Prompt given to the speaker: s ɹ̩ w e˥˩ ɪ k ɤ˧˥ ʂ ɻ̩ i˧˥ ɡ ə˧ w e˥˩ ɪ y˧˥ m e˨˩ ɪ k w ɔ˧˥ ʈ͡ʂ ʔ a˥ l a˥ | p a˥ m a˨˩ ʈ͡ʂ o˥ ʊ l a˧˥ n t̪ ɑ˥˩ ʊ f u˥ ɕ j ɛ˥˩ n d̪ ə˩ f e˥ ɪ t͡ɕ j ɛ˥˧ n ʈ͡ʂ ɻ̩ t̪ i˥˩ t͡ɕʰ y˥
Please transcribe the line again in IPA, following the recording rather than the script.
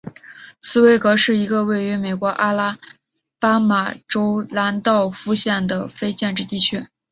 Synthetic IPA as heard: s ɹ̩ w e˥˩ ɪ k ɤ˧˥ ʂ ɻ̩ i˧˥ ɡ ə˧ w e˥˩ ɪ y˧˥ m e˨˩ ɪ k w ɔ˧˥ ʔ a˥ l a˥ | p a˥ m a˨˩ ʈ͡ʂ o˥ ʊ l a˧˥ n t̪ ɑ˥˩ ʊ f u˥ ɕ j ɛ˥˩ n d̪ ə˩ f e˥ ɪ t͡ɕ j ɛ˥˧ n ʈ͡ʂ ɻ̩ t̪ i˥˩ t͡ɕʰ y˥